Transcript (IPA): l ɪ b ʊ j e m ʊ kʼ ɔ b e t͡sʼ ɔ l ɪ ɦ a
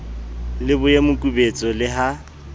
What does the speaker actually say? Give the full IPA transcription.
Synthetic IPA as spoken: l ɪ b ʊ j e m ʊ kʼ u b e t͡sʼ ɔ l ɪ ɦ a